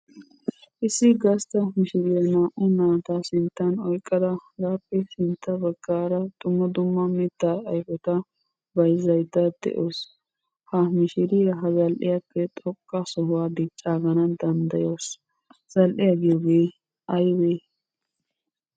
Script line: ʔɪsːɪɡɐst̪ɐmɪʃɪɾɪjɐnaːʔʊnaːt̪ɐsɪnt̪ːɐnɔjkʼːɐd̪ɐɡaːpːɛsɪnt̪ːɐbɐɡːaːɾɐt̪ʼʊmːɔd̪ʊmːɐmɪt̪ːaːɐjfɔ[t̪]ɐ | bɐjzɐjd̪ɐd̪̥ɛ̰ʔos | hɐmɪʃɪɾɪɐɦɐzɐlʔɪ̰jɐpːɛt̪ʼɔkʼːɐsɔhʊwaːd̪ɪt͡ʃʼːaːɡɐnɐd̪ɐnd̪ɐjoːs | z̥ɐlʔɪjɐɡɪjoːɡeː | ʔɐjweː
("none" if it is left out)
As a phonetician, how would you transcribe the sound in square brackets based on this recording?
t̪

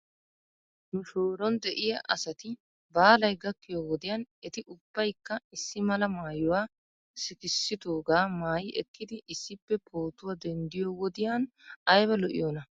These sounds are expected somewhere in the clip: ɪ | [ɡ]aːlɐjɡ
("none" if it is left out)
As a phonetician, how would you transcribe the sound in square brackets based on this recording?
b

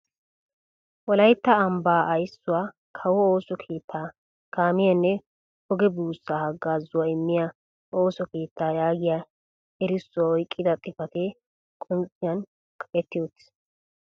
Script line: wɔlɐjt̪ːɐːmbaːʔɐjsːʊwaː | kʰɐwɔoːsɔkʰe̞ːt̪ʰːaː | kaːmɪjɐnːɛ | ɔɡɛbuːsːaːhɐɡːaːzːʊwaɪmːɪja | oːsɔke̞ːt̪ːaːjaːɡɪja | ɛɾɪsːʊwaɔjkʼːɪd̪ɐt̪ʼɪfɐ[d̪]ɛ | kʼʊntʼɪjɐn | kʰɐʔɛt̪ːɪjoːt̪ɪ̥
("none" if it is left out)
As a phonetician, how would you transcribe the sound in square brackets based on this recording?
t̪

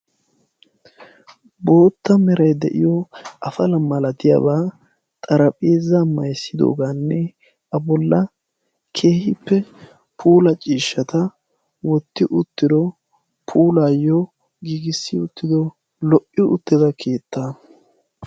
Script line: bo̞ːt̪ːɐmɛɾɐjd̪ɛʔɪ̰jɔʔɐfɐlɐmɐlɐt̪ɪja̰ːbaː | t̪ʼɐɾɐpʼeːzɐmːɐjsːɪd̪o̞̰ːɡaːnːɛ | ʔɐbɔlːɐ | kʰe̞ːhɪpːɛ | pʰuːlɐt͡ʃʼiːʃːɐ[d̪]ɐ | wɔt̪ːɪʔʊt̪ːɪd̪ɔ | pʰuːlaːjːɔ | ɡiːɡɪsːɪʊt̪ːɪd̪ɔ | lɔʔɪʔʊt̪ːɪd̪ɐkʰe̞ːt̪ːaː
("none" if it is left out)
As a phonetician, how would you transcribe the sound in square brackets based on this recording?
t̪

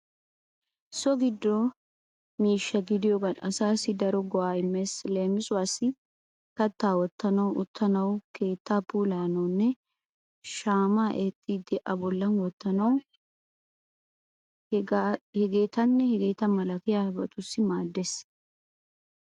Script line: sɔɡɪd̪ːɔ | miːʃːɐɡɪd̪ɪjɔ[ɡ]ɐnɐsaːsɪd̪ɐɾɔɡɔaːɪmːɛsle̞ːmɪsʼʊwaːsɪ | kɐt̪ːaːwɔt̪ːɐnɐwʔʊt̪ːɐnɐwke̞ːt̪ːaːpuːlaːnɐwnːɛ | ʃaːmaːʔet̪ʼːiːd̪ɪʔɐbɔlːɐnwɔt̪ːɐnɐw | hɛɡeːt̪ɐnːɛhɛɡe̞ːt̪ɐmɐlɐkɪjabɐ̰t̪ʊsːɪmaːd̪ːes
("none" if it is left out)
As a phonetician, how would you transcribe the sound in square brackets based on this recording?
ɡ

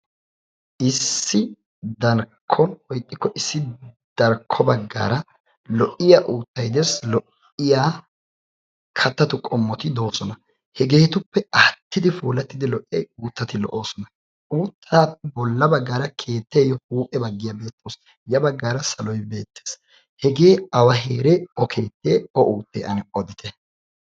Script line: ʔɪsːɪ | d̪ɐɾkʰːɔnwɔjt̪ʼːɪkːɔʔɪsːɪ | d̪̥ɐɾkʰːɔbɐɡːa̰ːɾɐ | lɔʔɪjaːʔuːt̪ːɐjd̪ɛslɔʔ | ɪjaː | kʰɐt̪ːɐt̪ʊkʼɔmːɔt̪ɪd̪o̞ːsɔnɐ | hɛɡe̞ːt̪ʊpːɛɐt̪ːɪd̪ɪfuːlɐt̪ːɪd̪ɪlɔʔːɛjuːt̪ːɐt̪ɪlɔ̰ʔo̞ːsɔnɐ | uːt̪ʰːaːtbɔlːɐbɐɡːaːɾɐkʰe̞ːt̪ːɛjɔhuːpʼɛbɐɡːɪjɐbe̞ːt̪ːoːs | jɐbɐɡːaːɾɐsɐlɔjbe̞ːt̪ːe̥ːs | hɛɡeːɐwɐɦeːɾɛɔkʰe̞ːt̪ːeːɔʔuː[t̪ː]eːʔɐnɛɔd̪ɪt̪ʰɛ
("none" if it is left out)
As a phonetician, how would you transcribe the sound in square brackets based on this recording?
t̪ː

